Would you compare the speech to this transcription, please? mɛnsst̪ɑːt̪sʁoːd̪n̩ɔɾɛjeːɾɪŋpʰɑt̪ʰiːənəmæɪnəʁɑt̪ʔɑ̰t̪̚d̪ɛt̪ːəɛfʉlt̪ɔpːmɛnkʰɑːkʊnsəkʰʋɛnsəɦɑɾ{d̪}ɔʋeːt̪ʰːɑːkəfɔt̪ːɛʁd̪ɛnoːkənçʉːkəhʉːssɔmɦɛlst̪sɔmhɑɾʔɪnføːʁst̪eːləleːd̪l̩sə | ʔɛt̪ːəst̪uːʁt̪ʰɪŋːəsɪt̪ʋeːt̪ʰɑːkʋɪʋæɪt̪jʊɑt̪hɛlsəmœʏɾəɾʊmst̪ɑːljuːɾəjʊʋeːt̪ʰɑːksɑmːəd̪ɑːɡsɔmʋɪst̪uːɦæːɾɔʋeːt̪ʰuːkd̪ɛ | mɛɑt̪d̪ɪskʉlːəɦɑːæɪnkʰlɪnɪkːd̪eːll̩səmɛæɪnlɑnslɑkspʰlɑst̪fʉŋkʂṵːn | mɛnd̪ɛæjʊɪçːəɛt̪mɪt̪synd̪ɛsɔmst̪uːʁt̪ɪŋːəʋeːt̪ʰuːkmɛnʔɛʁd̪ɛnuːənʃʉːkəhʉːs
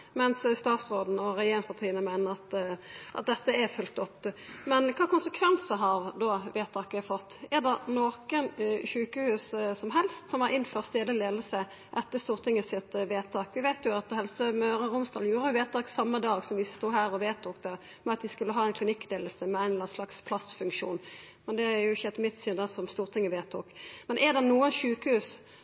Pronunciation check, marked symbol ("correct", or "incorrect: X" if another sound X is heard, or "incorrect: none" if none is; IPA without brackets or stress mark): correct